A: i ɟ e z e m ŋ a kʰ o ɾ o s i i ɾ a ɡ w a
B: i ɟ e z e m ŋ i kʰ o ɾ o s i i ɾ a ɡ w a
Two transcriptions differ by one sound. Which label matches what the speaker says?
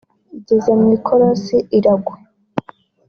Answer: B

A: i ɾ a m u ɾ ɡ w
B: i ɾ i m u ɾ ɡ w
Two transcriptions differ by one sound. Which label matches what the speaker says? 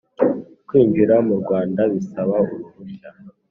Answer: A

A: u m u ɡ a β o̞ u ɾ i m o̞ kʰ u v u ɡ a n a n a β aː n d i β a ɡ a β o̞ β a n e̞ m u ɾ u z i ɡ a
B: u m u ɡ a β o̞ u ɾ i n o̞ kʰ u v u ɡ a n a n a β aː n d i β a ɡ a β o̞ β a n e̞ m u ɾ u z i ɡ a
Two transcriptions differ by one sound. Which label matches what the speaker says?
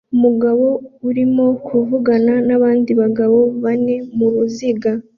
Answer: A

